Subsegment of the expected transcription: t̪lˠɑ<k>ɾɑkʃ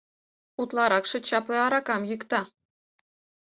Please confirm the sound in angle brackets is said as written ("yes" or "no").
no